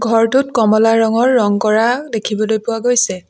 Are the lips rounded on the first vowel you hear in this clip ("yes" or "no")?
yes